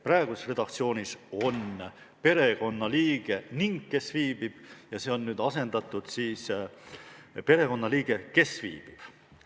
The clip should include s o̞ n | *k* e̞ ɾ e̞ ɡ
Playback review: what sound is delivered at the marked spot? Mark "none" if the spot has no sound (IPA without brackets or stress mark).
p